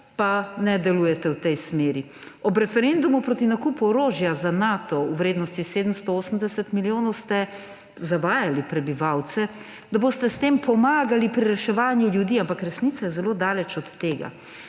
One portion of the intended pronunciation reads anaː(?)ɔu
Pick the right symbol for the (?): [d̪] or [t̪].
t̪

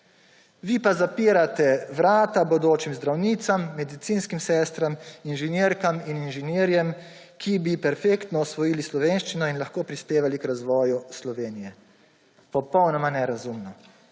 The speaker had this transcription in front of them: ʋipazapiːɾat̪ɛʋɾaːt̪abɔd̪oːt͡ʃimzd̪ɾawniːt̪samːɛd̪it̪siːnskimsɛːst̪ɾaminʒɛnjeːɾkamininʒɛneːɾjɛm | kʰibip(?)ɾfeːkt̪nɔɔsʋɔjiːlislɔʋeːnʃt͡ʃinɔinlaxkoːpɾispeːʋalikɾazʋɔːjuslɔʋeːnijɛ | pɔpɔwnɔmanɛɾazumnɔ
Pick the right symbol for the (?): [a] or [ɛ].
ɛ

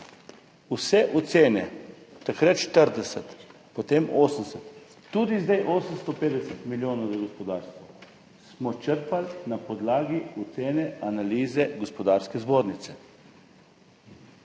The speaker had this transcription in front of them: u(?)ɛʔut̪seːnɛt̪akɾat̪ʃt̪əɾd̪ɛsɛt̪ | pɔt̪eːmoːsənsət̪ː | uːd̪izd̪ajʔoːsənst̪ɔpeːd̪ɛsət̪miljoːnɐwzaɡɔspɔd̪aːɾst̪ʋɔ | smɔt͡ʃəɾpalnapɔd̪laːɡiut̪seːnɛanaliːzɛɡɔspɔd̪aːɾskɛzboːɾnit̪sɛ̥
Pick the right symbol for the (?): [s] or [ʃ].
s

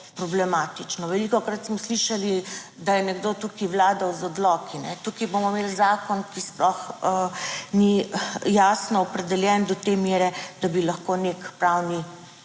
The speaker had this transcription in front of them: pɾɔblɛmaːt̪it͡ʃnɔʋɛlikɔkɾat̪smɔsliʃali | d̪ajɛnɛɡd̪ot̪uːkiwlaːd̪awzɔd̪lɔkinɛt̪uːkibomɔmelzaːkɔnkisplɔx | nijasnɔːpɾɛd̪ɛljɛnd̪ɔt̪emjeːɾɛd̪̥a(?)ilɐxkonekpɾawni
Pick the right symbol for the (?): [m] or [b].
b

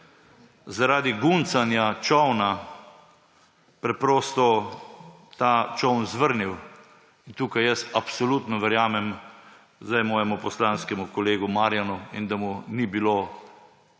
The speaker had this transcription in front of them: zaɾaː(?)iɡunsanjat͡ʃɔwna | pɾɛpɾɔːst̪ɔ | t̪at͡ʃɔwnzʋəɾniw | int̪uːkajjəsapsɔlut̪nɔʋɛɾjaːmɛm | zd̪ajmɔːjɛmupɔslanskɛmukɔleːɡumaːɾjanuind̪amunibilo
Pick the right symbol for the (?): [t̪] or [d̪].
d̪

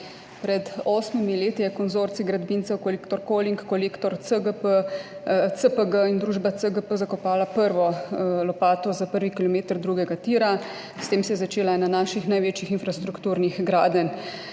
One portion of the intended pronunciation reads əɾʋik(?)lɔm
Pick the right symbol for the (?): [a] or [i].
i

